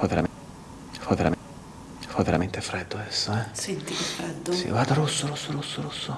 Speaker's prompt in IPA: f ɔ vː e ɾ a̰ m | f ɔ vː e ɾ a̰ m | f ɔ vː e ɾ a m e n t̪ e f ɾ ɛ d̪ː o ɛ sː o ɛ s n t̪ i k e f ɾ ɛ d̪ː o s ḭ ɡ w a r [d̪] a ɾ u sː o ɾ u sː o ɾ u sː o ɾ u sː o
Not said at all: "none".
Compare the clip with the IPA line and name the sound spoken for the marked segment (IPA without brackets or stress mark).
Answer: d̪